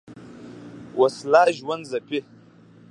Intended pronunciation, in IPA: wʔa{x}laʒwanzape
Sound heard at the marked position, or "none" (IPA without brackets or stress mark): s